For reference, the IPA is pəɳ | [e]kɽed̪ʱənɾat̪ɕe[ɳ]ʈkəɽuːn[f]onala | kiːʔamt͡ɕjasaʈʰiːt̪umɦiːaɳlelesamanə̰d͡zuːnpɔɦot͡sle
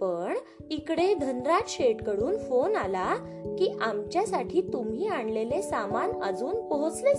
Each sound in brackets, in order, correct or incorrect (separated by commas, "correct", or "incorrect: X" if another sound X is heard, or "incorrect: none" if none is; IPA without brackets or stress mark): incorrect: i, incorrect: none, correct